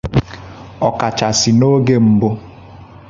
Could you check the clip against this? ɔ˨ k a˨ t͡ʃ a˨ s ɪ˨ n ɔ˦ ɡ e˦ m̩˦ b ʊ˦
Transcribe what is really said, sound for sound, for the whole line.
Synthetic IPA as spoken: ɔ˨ k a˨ t͡ʃ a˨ s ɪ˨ n o˦ ɡ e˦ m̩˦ b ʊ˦